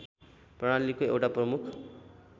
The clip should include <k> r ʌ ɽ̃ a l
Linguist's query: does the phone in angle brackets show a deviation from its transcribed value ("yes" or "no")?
yes